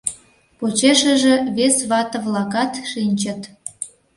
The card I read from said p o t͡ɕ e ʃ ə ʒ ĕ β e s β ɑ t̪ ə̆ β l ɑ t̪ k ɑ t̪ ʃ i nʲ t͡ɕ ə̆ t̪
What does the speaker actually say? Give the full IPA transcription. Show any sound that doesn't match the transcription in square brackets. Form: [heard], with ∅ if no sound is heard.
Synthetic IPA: p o t͡ɕ e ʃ ə ʒ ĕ β e s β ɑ t̪ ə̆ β l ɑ [∅] k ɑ t̪ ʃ i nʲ t͡ɕ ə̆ t̪

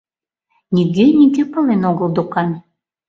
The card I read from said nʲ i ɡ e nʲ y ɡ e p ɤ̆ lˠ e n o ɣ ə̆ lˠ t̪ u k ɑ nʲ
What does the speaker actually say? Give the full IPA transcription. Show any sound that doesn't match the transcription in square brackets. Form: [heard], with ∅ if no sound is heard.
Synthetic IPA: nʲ i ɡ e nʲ [i] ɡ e p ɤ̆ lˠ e n o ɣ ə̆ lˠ [d̪] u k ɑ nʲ

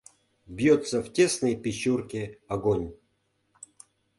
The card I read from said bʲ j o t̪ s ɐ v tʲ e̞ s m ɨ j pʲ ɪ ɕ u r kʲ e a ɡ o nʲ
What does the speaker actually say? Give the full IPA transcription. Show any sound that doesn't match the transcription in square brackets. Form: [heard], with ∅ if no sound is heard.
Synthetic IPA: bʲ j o t̪ s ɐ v tʲ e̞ s [n] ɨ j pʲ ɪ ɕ u r kʲ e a ɡ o nʲ

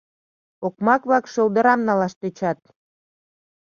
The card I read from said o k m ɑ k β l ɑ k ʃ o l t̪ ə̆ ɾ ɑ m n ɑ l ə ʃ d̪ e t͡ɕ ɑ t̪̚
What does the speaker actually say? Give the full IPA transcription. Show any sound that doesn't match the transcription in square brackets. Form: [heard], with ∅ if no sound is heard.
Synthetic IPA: o k m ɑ k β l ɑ k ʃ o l [d̪] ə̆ ɾ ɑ m n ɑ l [ɑ] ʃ [t̪] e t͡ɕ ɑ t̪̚

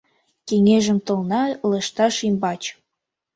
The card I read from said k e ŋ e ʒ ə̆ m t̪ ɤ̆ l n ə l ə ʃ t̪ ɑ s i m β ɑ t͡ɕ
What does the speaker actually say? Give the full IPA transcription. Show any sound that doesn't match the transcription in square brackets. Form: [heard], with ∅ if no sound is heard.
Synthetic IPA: k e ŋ e ʒ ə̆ m t̪ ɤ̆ l n [ɑ] l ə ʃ t̪ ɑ [ʃ] i m [b] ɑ t͡ɕ

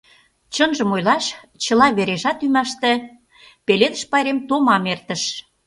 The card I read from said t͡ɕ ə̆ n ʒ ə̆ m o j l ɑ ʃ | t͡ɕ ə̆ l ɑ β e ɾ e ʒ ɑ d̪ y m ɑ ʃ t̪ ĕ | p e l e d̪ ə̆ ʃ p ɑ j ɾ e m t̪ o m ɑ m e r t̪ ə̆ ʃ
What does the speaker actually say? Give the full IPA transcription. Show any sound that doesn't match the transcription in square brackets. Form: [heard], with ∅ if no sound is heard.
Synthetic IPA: t͡ɕ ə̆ n ʒ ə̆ m o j l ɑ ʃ | t͡ɕ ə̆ l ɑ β e ɾ e ʒ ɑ [t̪] y m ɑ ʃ t̪ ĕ | p e l e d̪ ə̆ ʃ p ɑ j ɾ e m t̪ o m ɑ m e r t̪ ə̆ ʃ

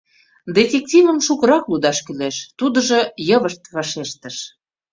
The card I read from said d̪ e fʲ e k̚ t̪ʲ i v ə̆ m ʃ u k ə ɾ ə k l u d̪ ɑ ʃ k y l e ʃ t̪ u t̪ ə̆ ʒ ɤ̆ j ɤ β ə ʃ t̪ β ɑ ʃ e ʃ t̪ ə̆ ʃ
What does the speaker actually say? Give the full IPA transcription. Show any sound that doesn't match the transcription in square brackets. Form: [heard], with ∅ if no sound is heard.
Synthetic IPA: d̪ e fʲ e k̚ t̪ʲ i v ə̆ m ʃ u k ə ɾ [ɑ] k l u d̪ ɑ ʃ k y l e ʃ t̪ u [d̪] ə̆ ʒ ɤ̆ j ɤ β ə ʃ t̪ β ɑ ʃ e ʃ t̪ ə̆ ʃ

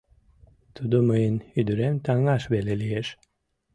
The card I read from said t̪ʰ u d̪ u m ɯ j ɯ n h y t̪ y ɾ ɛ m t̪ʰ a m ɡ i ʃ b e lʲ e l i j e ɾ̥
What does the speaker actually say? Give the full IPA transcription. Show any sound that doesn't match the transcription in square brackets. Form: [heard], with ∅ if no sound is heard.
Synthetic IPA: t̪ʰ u d̪ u m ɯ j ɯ n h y [d̪] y ɾ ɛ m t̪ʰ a [ŋ] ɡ [a] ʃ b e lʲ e l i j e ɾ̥

